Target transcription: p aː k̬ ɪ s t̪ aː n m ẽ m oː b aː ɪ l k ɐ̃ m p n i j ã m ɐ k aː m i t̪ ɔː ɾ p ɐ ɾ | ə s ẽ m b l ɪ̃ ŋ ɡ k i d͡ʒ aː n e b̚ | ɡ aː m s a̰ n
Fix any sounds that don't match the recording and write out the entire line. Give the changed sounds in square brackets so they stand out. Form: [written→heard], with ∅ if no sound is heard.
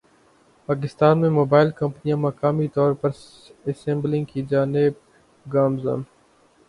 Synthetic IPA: p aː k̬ ɪ s t̪ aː n m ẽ m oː b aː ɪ l k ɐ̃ m p n i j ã m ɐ k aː m i t̪ ɔː ɾ p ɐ ɾ | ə s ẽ m b l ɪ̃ ŋ ɡ k i d͡ʒ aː n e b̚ | ɡ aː m [s→z] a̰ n

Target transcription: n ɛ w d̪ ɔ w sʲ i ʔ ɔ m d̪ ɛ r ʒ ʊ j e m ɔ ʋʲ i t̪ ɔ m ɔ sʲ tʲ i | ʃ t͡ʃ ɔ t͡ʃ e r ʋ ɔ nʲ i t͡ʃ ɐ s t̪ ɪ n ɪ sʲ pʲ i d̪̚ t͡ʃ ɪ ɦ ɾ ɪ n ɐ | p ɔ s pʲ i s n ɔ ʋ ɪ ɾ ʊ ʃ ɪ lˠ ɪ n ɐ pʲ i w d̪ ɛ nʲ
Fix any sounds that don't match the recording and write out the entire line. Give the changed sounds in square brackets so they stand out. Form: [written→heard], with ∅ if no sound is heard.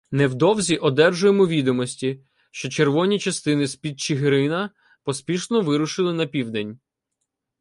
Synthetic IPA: n ɛ w d̪ ɔ w [sʲ→zʲ] i ʔ ɔ [m→∅] d̪ ɛ r ʒ ʊ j e m ɔ ʋʲ i [t̪→d̪] ɔ m ɔ sʲ tʲ i | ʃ t͡ʃ ɔ t͡ʃ e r ʋ ɔ nʲ i t͡ʃ ɐ s t̪ ɪ n ɪ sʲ pʲ i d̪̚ t͡ʃ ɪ ɦ ɾ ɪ n ɐ | p ɔ s pʲ i [s→ʃ] n ɔ ʋ ɪ ɾ ʊ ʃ ɪ lˠ ɪ n ɐ pʲ i w d̪ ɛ nʲ

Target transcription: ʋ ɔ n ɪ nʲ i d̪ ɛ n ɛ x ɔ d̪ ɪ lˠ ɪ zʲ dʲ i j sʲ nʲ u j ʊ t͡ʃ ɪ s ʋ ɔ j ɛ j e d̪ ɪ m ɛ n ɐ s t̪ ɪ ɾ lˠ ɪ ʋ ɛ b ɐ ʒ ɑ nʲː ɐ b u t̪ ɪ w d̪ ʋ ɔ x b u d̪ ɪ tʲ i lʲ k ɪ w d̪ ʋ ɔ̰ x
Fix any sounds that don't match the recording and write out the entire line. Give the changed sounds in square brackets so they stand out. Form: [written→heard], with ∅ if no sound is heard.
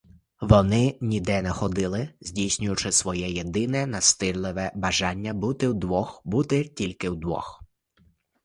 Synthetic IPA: ʋ ɔ n ɪ nʲ i d̪ ɛ n ɛ x ɔ d̪ ɪ lˠ ɪ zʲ dʲ i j sʲ nʲ [u→ʊ] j ʊ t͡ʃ ɪ s ʋ ɔ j ɛ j e d̪ ɪ [m→n] ɛ n ɐ s t̪ ɪ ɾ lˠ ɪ ʋ ɛ b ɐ ʒ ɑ nʲː ɐ b u t̪ ɪ w d̪ ʋ ɔ x b u [d̪→t̪] ɪ tʲ i lʲ k ɪ w d̪ ʋ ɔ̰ x

